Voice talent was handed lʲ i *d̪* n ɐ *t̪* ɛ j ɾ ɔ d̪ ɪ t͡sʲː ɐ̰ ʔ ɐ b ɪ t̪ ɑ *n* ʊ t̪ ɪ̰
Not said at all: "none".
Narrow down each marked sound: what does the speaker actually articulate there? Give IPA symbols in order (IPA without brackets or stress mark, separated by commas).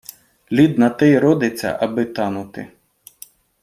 d̪, t̪, n